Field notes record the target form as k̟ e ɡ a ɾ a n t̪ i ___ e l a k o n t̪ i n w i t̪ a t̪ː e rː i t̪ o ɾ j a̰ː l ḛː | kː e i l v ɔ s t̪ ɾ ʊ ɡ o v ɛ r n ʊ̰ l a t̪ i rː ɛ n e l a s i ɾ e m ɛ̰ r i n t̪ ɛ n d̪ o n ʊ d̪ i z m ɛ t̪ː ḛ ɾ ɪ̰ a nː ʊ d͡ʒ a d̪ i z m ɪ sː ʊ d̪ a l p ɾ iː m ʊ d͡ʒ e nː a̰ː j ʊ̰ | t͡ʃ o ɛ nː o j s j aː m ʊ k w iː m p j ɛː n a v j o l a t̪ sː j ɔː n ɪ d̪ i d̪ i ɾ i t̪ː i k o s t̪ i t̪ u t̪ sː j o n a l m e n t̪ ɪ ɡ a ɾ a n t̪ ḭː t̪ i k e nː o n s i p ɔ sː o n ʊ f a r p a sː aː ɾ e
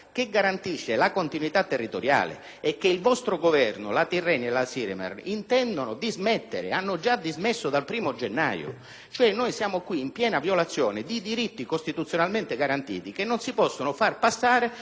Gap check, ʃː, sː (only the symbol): ʃː